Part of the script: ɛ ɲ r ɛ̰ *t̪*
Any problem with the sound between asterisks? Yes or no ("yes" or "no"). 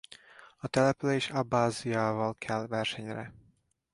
yes